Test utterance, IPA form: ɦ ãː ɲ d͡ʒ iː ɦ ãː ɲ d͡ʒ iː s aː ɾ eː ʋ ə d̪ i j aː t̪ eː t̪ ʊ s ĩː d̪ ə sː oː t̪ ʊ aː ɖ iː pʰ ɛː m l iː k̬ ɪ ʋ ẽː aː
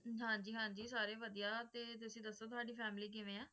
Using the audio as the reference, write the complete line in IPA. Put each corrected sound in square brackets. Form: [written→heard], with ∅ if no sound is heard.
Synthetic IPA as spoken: ɦ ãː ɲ d͡ʒ iː ɦ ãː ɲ d͡ʒ iː s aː ɾ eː ʋ ə d̪ i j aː t̪ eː t̪ ʊ s ĩː d̪ ə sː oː t̪ ʊ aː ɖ iː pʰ ɛː m l iː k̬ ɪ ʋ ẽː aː